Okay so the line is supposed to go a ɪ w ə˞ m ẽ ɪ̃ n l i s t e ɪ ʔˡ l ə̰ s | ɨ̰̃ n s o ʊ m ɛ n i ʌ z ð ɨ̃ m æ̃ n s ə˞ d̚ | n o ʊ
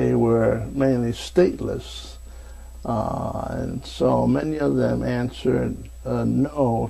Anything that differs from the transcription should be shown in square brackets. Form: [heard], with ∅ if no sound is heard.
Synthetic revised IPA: [e] ɪ w ə˞ m ẽ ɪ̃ n l i s t e ɪ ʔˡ l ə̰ s | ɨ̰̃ n s o ʊ m ɛ n i ʌ [v] ð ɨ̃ m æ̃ n s ə˞ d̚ | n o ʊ